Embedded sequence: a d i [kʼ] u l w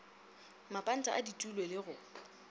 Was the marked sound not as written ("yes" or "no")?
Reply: yes